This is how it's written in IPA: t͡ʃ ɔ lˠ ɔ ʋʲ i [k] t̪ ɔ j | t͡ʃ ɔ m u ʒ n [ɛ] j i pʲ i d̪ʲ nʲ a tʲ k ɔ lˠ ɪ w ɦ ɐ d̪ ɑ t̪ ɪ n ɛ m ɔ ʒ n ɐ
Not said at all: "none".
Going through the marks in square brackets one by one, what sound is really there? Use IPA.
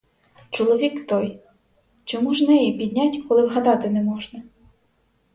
k, ɛ

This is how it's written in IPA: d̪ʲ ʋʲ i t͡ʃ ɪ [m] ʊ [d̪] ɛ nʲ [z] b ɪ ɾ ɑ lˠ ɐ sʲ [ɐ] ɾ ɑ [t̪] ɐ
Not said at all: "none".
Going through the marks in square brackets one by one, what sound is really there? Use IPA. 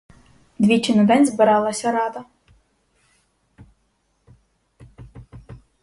n, d̪, z, ɐ, d̪

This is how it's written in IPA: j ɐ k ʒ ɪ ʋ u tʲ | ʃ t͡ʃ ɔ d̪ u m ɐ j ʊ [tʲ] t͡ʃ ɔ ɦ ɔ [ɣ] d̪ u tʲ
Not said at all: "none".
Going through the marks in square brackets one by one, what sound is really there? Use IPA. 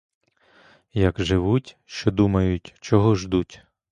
tʲ, ʒ

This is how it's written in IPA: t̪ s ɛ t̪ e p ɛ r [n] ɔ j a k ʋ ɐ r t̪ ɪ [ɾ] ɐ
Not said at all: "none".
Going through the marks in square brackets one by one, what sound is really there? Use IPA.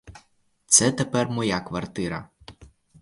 m, ɾ

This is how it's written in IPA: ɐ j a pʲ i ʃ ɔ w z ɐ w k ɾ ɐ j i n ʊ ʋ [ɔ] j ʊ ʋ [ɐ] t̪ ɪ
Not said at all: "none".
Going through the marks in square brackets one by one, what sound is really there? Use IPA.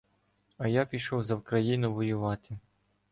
ɔ, ɑ

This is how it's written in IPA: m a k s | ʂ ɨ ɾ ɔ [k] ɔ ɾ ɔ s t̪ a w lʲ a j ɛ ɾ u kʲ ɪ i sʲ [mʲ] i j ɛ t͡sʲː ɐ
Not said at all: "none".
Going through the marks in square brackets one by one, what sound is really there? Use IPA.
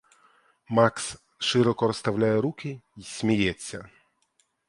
k, mʲ

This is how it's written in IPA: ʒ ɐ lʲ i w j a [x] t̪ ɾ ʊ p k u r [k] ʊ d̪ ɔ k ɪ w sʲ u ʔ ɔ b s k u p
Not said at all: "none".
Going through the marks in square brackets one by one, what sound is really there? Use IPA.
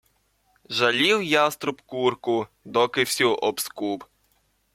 s, k

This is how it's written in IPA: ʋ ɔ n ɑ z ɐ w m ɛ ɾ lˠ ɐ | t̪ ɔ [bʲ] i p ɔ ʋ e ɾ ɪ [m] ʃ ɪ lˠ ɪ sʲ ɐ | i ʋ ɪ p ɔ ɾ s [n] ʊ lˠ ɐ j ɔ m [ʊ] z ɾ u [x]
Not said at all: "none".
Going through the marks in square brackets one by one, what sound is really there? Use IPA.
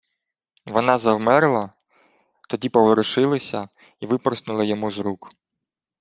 dʲ, none, n, u, k

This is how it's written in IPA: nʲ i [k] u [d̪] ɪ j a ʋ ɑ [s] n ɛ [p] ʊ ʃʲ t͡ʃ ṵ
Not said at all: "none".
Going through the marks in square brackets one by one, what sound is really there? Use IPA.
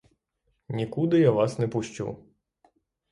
k, d̪, s, p

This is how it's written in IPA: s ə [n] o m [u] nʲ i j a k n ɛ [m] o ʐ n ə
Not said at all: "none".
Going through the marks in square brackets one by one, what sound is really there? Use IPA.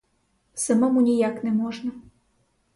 m, u, m

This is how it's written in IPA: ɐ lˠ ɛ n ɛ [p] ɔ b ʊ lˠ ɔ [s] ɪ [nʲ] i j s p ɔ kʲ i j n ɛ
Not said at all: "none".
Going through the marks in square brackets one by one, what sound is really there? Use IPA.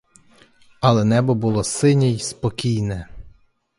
b, s, nʲ

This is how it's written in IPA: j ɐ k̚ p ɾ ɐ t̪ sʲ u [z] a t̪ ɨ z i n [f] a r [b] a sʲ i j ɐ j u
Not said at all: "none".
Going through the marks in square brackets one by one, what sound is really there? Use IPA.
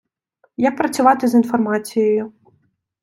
v, f, m

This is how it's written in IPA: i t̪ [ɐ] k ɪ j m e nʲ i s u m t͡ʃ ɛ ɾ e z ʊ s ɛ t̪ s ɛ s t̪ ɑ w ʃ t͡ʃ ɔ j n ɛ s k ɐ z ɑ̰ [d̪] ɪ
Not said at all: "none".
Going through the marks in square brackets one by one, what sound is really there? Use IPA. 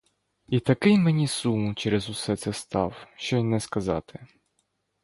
ɐ, t̪

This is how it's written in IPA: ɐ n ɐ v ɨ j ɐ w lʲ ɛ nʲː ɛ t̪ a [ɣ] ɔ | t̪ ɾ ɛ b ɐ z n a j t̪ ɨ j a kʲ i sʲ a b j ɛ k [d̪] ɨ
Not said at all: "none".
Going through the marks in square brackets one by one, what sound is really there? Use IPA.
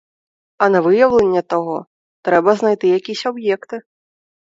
ɣ, t̪

